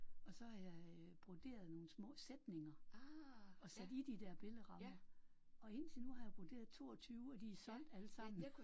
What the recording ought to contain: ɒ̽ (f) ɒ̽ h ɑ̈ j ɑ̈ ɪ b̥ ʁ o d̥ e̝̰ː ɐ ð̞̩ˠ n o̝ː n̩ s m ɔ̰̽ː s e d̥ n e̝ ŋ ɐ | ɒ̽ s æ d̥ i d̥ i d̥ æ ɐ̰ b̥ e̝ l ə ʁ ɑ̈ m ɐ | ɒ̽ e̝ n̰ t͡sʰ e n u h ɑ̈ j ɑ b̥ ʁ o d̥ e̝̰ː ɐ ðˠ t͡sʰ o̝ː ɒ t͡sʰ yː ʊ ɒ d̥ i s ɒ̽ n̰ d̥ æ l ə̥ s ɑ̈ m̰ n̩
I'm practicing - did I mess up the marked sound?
yes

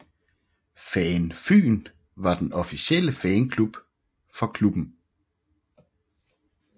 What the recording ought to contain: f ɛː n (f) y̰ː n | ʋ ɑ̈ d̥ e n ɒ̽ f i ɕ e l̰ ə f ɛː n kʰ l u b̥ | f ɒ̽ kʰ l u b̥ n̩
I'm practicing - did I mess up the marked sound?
no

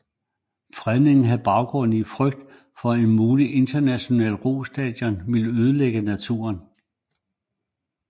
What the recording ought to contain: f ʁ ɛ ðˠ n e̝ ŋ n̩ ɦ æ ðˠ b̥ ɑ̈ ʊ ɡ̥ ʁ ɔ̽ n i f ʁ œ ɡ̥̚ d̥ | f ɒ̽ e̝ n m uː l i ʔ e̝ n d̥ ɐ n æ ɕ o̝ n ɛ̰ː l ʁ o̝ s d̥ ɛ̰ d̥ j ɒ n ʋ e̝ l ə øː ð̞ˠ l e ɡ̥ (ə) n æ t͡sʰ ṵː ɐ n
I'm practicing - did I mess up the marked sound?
no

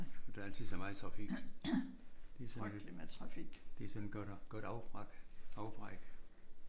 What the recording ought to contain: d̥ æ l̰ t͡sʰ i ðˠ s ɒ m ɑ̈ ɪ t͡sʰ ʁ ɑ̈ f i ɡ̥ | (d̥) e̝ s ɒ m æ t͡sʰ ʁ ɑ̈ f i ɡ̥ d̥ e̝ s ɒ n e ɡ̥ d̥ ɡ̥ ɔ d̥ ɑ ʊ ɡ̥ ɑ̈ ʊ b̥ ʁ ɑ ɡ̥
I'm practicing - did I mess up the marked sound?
no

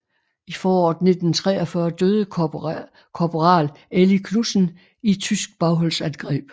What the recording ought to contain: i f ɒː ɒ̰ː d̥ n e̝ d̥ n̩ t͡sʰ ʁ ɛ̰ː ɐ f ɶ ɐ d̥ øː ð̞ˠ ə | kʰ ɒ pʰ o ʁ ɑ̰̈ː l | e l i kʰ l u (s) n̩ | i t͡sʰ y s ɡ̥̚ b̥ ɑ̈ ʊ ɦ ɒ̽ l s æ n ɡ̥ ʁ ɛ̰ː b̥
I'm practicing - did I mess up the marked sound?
no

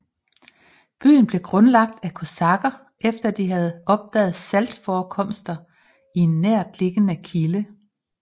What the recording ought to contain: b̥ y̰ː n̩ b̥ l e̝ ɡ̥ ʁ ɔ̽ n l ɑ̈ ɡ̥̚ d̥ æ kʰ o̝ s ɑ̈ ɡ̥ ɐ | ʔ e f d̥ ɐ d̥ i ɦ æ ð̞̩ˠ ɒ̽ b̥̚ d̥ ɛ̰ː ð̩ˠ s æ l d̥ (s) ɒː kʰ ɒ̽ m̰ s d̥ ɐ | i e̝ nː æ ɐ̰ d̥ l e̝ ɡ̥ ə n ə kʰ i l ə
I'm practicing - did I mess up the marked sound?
yes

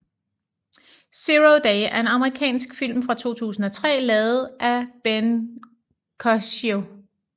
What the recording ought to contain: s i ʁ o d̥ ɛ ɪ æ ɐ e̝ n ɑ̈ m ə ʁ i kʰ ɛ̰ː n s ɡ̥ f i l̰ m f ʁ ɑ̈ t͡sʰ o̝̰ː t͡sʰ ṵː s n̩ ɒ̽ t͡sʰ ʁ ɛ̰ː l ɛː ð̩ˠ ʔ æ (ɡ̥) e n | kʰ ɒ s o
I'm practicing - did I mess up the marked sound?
yes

